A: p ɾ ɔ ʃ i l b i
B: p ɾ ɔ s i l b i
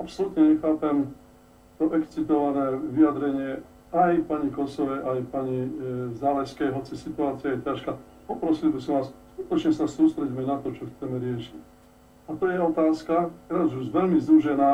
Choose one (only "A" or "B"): B